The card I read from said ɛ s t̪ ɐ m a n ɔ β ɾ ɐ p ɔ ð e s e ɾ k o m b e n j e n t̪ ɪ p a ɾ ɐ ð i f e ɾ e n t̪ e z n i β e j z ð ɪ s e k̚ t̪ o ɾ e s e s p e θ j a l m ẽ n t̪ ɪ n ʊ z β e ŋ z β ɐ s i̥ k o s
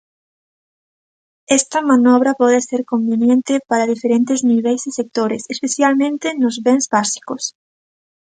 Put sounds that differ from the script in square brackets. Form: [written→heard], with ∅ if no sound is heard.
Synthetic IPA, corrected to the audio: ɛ s t̪ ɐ m a n ɔ β ɾ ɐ p ɔ ð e s e ɾ k o m b e n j e n t̪ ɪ p a ɾ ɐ ð i f e ɾ e n t̪ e z n i β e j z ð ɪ s e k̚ t̪ o ɾ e s e s p e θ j a l m ẽ n t̪ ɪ n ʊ z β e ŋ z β [ɐ→a] s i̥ k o s

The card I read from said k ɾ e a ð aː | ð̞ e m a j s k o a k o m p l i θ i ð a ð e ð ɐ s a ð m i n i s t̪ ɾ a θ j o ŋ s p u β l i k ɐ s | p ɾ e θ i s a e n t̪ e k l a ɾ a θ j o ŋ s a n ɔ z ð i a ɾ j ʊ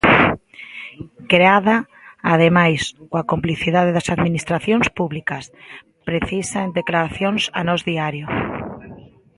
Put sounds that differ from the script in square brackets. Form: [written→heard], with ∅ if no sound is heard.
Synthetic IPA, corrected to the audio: k ɾ e a ð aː | ð̞ e m a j s k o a k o m p l i θ i ð a ð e ð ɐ s a ð m i n i s t̪ ɾ a θ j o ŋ s p u β l i k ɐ s | p ɾ e θ i s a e n [t̪→d̪] e k l a ɾ a θ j o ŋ s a n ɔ z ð i a ɾ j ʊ

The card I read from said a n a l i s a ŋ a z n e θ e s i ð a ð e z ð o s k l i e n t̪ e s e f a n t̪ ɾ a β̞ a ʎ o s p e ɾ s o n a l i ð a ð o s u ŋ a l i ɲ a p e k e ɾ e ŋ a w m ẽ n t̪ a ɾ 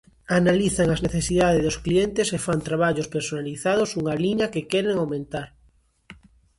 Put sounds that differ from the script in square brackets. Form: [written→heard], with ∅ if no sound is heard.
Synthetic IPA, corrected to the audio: a n a l i [s→θ] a ŋ a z n e θ e s i ð a ð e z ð o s k l i e n t̪ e s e f a n t̪ ɾ a β̞ a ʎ o s p e ɾ s o n a l i [ð→θ] a ð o s u ŋ a l i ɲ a [p→k] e k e ɾ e ŋ a w m ẽ n t̪ a ɾ

